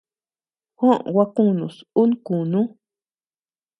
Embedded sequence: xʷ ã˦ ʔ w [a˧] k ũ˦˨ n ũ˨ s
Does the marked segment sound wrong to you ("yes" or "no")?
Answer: no